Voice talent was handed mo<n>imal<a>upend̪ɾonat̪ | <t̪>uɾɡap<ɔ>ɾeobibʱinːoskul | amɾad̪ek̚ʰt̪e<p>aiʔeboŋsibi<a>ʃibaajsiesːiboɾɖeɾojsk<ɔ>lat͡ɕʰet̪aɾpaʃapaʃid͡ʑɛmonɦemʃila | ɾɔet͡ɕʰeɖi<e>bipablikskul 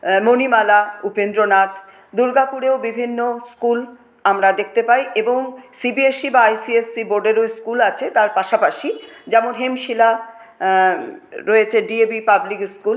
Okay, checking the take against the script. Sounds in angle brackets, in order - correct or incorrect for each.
correct, correct, incorrect, incorrect, correct, incorrect, incorrect, correct

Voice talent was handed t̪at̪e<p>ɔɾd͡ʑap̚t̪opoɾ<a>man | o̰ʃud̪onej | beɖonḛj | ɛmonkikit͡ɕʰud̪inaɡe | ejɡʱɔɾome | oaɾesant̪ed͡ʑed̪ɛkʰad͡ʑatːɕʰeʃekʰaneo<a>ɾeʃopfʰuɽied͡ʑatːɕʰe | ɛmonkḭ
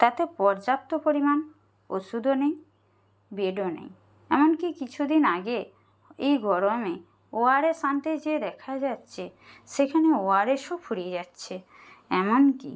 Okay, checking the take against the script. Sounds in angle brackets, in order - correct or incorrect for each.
correct, incorrect, correct

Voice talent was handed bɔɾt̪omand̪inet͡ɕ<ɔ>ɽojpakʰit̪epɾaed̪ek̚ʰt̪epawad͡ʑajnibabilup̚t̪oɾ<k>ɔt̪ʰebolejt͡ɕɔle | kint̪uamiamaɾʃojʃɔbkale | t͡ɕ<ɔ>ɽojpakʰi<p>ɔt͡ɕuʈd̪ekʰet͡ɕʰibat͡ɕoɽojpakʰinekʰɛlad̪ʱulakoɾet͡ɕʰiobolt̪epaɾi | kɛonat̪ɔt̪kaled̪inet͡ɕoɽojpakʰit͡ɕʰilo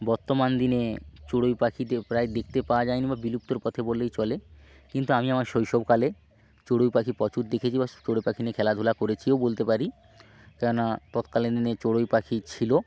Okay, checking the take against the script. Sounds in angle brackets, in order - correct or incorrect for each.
incorrect, incorrect, incorrect, correct

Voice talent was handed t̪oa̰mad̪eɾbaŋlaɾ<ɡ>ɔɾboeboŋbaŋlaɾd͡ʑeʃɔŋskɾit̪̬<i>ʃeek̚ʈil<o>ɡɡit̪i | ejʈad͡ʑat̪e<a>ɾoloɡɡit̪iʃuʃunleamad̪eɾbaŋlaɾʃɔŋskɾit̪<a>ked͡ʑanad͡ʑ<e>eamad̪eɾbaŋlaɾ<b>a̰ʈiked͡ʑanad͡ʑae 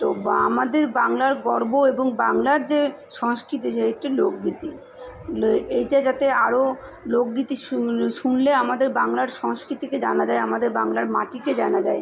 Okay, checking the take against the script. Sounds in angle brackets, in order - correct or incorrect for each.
correct, correct, correct, correct, incorrect, incorrect, incorrect

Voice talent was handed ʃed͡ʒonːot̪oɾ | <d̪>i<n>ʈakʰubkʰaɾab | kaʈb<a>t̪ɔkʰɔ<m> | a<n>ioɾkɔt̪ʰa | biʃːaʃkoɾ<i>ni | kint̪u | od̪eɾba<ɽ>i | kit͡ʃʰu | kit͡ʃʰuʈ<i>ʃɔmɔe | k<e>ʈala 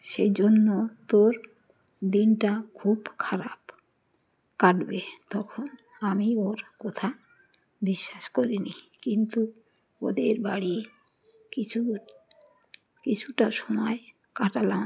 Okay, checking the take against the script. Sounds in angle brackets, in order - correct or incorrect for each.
correct, correct, incorrect, incorrect, incorrect, correct, correct, incorrect, incorrect

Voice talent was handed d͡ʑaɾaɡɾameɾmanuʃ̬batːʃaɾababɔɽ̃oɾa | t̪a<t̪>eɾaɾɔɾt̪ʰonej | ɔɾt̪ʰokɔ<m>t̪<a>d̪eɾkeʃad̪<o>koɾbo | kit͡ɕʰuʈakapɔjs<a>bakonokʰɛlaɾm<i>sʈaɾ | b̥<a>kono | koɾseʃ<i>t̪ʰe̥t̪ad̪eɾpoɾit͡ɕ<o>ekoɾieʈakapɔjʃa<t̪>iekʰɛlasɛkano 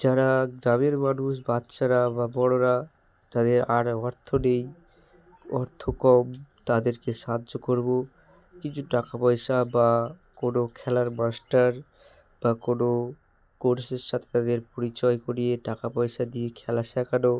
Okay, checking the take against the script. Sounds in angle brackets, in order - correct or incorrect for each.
incorrect, correct, correct, correct, correct, incorrect, correct, incorrect, incorrect, incorrect

